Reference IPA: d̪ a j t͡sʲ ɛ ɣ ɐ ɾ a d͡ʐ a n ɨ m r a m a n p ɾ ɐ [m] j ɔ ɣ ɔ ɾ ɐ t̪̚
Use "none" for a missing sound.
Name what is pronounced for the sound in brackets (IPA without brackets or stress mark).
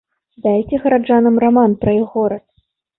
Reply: none